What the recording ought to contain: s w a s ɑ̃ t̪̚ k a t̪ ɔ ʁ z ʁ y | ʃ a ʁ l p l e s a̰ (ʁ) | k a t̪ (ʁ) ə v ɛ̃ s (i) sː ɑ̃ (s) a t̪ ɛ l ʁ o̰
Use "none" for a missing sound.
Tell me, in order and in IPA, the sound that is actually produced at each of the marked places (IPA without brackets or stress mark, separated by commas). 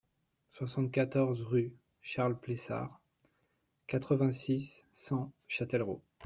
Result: ʁ, χ, i, ʃ